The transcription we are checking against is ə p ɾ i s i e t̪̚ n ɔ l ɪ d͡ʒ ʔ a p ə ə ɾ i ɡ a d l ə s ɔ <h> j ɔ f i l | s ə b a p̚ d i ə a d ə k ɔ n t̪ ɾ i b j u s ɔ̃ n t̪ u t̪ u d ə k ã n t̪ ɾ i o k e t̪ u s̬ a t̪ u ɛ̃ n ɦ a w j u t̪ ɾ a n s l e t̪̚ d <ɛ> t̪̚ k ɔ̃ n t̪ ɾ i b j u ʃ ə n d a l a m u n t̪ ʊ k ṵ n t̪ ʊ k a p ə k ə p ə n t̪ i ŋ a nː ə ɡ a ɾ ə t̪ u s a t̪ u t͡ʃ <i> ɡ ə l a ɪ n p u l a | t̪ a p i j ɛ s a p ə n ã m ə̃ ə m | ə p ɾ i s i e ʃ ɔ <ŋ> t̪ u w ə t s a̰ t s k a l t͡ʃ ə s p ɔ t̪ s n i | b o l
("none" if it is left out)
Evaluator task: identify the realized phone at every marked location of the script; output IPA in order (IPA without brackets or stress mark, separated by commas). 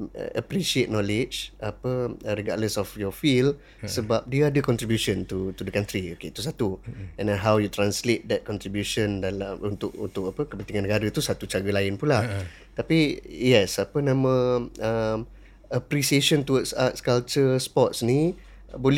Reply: f, ɛ, a, n